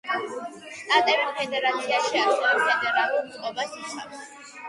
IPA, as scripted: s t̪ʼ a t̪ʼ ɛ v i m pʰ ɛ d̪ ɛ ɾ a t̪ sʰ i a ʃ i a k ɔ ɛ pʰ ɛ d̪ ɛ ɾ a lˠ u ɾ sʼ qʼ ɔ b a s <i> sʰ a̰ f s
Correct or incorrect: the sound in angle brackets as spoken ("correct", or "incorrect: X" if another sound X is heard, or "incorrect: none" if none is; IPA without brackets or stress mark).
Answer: correct